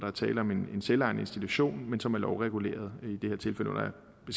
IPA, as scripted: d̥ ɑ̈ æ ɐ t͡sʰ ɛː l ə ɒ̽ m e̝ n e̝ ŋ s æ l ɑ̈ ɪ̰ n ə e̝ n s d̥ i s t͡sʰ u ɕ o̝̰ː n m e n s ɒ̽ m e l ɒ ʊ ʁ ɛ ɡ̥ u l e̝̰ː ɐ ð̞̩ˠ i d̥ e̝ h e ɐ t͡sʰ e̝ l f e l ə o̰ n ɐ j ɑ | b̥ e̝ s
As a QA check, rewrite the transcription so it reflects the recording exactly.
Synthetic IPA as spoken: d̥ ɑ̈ æ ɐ t͡sʰ ɛː l ə ɒ̽ m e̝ n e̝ n s e l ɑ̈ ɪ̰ n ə e̝ n s d̥ i t͡sʰ u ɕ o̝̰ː n m e n s ɒ̽ m æ l ɒ ʊ ʁ ɛ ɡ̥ u l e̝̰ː ɐ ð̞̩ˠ i d̥ e̝ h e ɐ t͡sʰ e̝ l f e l ə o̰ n ɐ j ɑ | b̥ e̝ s